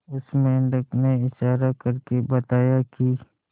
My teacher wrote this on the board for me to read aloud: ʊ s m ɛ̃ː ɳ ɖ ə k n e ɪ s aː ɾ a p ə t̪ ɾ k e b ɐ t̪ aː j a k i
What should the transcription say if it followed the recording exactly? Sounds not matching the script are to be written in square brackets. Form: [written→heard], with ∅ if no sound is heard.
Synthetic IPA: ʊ s m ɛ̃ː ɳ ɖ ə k n e ɪ [s→ʃ] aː ɾ a [p→k] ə [t̪→∅] ɾ k e b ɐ t̪ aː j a k i